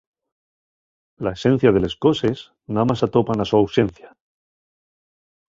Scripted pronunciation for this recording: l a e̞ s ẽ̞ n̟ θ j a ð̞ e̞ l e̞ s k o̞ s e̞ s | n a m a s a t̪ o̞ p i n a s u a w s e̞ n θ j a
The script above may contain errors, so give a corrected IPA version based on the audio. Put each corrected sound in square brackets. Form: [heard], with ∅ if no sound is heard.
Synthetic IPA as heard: l a e̞ s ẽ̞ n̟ θ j a ð̞ e̞ l e̞ s k o̞ s e̞ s | n a m a s a t̪ o̞ p [a] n a s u a w s e̞ n θ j a